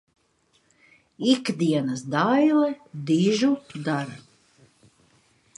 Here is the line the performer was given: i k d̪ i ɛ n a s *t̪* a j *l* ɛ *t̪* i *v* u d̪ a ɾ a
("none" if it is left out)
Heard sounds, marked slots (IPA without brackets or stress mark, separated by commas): d̪, l, d̪, ʒ